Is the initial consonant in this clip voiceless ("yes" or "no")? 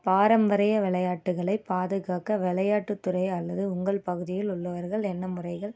yes